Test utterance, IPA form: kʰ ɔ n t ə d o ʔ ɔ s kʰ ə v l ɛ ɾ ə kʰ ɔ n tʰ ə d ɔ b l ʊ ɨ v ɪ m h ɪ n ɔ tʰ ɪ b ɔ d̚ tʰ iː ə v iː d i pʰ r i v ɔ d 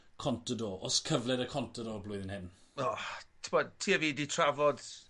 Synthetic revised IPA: kʰ ɔ n t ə d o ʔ ɔ s kʰ ə v l ɛ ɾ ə kʰ ɔ n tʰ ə d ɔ b l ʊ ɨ ð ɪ n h ɪ n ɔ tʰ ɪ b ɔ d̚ tʰ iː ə v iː d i tʰ r a v ɔ d